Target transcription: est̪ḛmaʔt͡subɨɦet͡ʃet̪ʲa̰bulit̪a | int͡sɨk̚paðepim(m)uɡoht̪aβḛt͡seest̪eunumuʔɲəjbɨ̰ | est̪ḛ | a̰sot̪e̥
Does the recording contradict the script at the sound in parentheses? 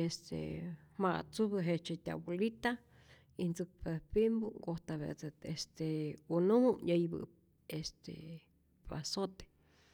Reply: yes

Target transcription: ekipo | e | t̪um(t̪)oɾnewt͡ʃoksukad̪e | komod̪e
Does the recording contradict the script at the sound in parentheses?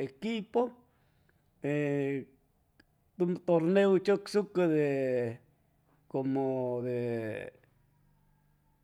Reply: no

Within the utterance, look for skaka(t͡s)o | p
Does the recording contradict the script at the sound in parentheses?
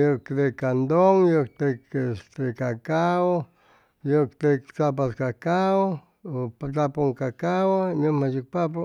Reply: yes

